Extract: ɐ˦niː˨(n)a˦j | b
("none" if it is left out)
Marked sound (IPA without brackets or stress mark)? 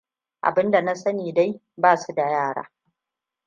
d